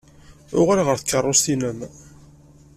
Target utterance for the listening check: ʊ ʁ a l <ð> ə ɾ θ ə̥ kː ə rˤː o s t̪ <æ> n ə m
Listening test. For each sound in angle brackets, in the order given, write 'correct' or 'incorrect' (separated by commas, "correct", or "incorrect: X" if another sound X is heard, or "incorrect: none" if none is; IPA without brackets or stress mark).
incorrect: ʁ, incorrect: i